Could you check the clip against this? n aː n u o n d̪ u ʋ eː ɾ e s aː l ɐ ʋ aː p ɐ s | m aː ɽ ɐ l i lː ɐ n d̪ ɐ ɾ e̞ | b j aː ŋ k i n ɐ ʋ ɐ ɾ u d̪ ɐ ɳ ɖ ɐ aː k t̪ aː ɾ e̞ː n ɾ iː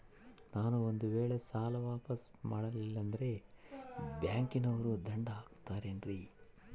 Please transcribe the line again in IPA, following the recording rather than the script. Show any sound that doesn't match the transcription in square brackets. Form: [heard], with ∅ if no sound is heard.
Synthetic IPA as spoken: n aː n u o n d̪ u ʋ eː [ɭ] e s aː l ɐ ʋ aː p ɐ s | m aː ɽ ɐ l i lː ɐ n d̪ ɐ ɾ e̞ | b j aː ŋ k i n ɐ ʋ ɐ ɾ u d̪ ɐ ɳ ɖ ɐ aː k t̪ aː ɾ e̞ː n ɾ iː